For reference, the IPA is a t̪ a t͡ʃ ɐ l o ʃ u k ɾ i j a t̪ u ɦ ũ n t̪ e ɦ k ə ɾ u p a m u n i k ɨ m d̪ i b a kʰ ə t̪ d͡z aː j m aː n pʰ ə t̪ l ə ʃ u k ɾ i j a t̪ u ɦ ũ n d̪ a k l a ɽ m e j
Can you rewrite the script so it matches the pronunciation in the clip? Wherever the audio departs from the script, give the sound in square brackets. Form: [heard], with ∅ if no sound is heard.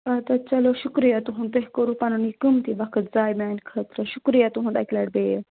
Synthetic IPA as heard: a t̪ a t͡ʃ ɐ l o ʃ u k ɾ i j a t̪ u ɦ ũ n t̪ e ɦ k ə ɾ u p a [n] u n i k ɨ m [t̪] i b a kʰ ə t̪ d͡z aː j m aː n [kʰ] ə t̪ [ɾ] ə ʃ u k ɾ i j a t̪ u ɦ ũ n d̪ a k l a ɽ [b] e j